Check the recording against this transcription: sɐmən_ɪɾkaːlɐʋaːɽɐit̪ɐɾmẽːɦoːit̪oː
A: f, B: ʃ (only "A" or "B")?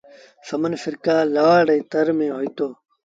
A